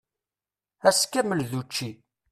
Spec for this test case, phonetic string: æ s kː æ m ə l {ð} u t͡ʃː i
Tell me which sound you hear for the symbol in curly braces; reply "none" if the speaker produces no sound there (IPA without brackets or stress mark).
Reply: ð